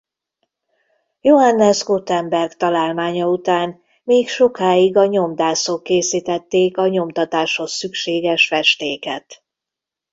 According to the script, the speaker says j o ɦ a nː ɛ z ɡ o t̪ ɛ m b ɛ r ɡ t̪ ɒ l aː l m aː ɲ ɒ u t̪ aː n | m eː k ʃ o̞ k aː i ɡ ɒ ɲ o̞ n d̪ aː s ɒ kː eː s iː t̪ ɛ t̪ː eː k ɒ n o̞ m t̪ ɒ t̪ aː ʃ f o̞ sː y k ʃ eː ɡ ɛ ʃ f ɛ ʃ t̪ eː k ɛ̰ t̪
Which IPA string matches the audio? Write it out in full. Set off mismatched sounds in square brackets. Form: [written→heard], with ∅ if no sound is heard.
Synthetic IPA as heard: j o ɦ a nː ɛ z ɡ o t̪ ɛ m b ɛ r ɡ t̪ ɒ l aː l m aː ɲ ɒ u t̪ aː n | m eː k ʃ o̞ k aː i ɡ ɒ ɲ o̞ [n→m] d̪ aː s [ɒ→o] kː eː s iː t̪ ɛ t̪ː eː k ɒ [n→ɲ] o̞ m t̪ ɒ t̪ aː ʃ [f→h] o̞ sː y k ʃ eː ɡ ɛ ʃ f ɛ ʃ t̪ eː k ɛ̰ t̪

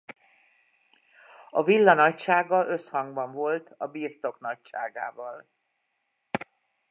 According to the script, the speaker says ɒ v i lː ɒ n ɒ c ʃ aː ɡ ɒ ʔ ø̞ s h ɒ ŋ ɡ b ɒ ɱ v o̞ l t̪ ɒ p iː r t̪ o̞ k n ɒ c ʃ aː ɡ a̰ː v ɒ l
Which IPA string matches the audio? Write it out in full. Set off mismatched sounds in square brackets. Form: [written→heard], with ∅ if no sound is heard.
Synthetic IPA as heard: ɒ v i lː ɒ n ɒ c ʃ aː ɡ ɒ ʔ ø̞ s h ɒ ŋ ɡ b ɒ ɱ v o̞ l t̪ ɒ [p→b] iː r t̪ o̞ k n ɒ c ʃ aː ɡ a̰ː v ɒ l

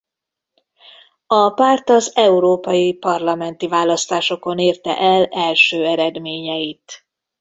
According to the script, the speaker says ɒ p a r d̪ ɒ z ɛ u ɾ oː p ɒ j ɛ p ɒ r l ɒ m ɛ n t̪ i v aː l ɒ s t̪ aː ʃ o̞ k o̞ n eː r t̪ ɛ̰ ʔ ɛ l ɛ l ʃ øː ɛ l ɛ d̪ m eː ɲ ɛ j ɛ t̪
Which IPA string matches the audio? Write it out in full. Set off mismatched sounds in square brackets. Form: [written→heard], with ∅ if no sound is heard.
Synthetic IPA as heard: ɒ p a r [d̪→t̪] ɒ z ɛ u ɾ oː p ɒ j [ɛ→i] p ɒ r l ɒ m ɛ n t̪ i v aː l ɒ s t̪ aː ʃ o̞ k o̞ n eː r t̪ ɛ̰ ʔ ɛ l ɛ l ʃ øː ɛ [l→ɾ] ɛ d̪ m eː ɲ ɛ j [ɛ→i] t̪

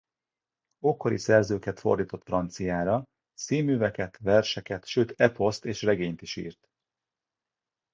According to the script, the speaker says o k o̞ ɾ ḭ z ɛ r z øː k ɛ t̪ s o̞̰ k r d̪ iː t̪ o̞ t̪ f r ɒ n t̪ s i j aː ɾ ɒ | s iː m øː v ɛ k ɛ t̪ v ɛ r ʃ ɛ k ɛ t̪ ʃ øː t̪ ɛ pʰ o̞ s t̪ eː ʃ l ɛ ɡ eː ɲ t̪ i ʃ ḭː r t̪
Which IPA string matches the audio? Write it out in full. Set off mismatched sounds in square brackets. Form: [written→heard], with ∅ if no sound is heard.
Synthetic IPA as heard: o k o̞ ɾ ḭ [z→s] ɛ r z øː k ɛ t̪ [s→f] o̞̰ [k→∅] r d̪ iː t̪ o̞ t̪ f r ɒ n t̪ s i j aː ɾ ɒ | s iː m [øː→yː] v ɛ k ɛ t̪ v ɛ r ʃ ɛ k ɛ t̪ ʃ øː t̪ ɛ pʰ o̞ s t̪ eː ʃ [l→r] ɛ ɡ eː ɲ t̪ i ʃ ḭː r t̪

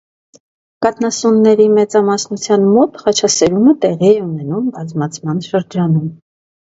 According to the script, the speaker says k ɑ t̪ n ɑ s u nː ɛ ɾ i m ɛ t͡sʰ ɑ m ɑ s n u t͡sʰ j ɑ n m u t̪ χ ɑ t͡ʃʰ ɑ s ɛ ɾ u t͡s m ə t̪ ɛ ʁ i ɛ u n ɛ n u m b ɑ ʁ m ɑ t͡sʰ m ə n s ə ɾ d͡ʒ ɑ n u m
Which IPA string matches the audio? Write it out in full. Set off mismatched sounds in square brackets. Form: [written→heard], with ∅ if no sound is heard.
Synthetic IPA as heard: k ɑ t̪ n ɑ s u nː ɛ ɾ i m ɛ [t͡sʰ→t͡s] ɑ m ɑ s n u t͡sʰ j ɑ n m [u→ɔ] t̪ χ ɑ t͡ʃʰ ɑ s ɛ ɾ u [t͡s→∅] m ə t̪ ɛ ʁ i ɛ u n ɛ n u m b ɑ [ʁ→z] m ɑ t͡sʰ m [ə→ɑ] n [s→ʃ] ə ɾ d͡ʒ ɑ n u m

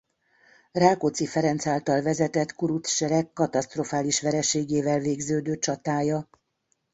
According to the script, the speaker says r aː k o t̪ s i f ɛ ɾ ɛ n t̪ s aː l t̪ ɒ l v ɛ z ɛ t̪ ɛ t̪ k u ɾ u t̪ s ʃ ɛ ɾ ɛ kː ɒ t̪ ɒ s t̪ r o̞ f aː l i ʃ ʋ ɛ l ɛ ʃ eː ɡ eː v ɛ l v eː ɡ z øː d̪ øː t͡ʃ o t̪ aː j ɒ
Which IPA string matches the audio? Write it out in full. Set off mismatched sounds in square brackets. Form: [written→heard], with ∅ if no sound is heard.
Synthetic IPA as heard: r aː k o t̪ s i f ɛ ɾ ɛ n t̪ s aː l t̪ ɒ l v ɛ z ɛ t̪ ɛ t̪ k u ɾ u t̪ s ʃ ɛ ɾ ɛ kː ɒ t̪ ɒ s t̪ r o̞ f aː l i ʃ ʋ ɛ [l→ɾ] ɛ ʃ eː ɡ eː v ɛ l v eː ɡ z øː d̪ øː t͡ʃ [o→ɒ] t̪ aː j ɒ

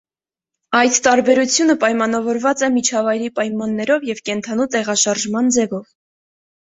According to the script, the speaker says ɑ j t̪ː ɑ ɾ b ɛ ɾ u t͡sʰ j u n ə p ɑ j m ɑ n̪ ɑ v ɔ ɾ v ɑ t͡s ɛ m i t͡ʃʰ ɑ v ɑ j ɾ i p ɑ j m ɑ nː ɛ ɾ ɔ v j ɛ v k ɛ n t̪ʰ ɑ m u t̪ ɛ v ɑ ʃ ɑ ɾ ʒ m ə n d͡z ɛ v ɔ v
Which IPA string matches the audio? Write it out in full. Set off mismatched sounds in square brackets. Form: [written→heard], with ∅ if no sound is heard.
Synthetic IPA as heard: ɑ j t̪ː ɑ ɾ b ɛ ɾ u t͡sʰ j u n ə p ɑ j m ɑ n̪ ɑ v ɔ ɾ v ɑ t͡s ɛ m i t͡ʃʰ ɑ v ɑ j ɾ i p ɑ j m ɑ nː ɛ ɾ ɔ v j ɛ v k ɛ n t̪ʰ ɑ [m→n] u t̪ ɛ [v→ʁ] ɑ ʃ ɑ ɾ ʒ m [ə→ɑ] n d͡z ɛ v ɔ v

